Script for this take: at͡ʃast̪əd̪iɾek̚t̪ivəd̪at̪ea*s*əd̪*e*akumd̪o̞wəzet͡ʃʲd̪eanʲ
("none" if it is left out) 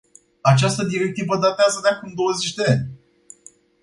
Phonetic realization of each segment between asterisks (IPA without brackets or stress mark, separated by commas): z, e